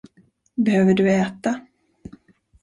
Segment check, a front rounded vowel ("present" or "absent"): present